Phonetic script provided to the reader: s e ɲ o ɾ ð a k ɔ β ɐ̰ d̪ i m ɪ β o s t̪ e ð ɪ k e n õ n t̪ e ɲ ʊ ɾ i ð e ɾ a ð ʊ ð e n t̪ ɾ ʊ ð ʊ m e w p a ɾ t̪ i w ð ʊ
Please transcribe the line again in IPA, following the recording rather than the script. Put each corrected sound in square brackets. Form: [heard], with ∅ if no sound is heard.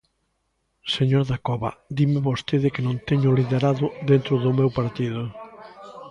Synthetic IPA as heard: s e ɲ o ɾ ð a k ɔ β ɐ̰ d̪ i m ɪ β o s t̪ e ð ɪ k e n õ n t̪ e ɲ ʊ [l] i ð e ɾ a ð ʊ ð e n t̪ ɾ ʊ ð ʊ m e w p a ɾ t̪ i [∅] ð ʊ